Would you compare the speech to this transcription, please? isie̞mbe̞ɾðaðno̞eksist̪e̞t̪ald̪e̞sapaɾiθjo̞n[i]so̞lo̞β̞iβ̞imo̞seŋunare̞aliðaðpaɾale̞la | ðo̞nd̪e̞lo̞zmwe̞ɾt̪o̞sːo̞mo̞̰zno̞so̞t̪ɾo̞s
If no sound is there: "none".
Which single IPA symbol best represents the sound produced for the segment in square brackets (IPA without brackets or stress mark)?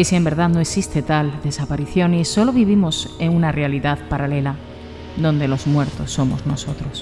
i